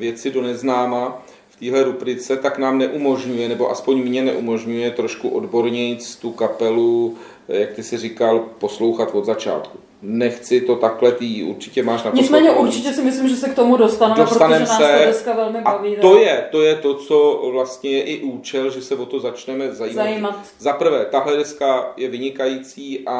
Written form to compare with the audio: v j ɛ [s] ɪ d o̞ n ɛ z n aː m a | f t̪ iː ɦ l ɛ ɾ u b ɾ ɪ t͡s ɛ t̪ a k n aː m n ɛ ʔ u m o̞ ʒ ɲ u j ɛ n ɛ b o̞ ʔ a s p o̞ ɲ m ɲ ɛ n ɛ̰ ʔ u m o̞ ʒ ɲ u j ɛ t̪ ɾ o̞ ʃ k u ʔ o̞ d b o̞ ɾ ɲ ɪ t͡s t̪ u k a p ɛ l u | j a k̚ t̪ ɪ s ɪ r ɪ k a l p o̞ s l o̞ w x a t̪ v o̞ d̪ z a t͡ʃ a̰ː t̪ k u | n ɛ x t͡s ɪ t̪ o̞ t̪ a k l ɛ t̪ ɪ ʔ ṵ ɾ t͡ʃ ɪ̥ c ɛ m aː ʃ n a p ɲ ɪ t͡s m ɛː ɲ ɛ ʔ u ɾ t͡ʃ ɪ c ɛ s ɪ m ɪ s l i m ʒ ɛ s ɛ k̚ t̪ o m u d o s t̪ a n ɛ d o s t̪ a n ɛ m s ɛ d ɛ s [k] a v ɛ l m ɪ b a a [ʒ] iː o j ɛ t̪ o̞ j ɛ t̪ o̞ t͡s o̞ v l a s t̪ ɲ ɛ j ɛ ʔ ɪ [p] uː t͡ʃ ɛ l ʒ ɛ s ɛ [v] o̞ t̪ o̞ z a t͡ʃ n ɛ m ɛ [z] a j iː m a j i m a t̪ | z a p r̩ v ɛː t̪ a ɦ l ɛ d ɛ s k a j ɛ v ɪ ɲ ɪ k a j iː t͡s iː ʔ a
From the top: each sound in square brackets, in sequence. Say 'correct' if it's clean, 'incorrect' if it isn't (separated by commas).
incorrect, correct, incorrect, incorrect, correct, correct